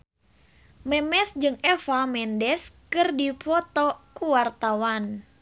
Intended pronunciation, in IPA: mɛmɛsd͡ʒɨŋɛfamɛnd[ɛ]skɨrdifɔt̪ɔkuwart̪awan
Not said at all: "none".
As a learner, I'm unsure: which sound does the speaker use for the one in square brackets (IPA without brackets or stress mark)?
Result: ɛ